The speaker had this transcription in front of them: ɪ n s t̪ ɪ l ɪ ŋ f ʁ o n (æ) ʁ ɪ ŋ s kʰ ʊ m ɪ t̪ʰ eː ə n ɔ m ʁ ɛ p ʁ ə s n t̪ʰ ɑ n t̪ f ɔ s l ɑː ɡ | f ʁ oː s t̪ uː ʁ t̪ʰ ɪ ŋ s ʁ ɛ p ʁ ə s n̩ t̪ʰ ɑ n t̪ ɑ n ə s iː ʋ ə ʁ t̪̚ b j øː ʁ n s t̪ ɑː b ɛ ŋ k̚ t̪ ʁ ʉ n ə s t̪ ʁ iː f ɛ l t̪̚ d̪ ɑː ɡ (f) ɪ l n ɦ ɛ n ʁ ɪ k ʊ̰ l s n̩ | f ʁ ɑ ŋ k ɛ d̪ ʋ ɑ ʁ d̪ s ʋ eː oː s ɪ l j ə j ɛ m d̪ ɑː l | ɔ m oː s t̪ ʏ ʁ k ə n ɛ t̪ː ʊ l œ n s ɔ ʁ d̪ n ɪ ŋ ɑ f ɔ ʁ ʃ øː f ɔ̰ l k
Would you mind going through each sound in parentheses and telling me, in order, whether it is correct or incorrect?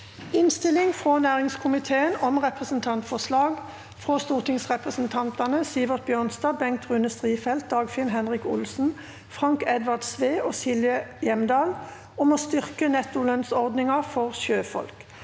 incorrect: æː, correct

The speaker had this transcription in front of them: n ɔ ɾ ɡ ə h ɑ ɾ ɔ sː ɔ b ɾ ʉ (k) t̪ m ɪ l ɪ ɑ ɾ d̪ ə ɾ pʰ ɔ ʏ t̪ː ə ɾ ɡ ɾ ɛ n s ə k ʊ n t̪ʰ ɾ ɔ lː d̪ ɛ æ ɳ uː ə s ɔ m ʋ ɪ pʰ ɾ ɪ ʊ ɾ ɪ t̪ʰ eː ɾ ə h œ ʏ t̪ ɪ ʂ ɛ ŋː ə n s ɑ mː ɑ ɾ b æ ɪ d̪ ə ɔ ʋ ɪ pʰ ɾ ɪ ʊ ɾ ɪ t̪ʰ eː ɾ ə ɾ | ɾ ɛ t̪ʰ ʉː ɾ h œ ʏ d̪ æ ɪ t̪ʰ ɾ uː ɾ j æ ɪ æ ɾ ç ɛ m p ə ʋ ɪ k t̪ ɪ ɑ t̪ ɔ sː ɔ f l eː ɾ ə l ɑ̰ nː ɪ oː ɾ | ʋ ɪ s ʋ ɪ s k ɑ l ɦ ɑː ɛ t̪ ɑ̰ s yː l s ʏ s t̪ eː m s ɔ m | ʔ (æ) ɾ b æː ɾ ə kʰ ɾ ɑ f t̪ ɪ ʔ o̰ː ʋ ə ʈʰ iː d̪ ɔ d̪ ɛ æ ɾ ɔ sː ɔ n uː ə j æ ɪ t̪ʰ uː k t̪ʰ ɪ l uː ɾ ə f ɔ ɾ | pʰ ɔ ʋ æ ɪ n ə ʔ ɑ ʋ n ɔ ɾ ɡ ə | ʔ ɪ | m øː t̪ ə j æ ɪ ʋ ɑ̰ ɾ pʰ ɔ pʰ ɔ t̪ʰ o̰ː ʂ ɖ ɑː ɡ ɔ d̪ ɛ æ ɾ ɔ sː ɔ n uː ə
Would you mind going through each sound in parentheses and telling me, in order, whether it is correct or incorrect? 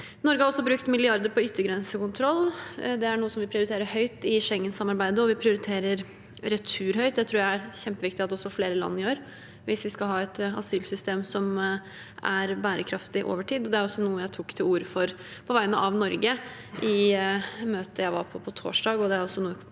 correct, correct

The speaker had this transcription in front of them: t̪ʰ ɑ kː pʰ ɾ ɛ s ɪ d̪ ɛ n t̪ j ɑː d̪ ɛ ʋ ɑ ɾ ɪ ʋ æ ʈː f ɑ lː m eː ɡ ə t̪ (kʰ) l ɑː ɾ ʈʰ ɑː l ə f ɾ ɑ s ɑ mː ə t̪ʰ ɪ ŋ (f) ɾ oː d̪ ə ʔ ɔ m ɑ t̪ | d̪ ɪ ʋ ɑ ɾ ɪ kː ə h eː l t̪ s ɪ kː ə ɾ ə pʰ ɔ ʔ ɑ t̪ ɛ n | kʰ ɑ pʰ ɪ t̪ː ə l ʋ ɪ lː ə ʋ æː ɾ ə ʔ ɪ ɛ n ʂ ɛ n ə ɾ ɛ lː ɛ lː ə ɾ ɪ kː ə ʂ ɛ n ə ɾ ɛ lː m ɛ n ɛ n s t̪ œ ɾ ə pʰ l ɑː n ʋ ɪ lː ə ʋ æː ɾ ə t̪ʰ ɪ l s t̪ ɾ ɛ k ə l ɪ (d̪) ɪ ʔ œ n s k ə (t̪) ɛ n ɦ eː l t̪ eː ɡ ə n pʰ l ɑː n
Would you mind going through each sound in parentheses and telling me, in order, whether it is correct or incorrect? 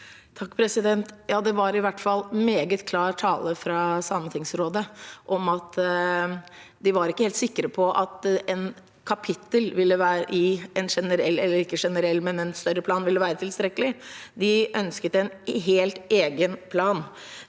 correct, incorrect: s, correct, correct

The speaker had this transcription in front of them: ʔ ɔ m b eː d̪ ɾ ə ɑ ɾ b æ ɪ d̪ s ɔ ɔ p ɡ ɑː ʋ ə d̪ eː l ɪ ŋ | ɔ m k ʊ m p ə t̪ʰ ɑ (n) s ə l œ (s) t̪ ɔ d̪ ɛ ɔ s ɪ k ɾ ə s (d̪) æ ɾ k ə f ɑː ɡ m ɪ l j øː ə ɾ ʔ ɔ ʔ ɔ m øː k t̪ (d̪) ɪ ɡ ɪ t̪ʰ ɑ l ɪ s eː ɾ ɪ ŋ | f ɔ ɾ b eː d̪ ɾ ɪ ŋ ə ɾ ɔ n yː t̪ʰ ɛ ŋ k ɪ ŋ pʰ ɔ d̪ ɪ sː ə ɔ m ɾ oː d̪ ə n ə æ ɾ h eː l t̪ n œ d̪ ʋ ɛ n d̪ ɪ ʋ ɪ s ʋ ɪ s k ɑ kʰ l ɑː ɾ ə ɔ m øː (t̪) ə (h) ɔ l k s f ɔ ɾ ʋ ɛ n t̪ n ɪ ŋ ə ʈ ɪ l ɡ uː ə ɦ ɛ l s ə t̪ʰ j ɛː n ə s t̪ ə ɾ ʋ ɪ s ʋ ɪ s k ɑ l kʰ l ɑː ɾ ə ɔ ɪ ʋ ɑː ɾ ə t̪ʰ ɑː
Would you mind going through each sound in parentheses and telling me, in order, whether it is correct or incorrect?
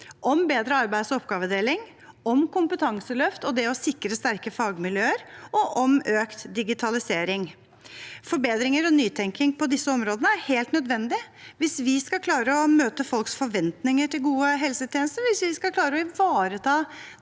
incorrect: ŋ, incorrect: f, incorrect: t̪, correct, correct, incorrect: f

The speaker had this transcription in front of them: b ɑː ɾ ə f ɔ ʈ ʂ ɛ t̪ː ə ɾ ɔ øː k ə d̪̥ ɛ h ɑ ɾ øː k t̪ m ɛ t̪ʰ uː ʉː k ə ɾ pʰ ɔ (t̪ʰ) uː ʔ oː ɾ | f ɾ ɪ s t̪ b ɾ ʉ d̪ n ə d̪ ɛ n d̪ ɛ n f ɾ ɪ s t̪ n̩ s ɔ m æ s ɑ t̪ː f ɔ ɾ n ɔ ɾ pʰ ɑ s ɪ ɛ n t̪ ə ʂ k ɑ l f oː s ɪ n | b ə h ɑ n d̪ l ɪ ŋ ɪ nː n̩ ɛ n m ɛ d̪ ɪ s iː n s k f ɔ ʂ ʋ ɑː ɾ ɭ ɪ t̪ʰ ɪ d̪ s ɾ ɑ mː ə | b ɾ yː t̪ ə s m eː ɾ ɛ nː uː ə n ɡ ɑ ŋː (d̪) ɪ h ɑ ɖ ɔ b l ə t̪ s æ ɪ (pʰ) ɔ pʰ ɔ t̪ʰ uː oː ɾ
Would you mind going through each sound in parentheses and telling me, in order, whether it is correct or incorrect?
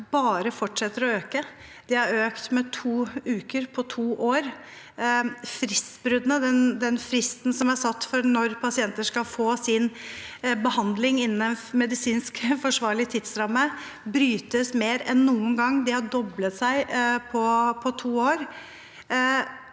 correct, correct, correct

